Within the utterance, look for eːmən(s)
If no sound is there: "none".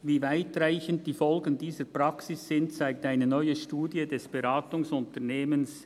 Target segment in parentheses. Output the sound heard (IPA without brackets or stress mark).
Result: s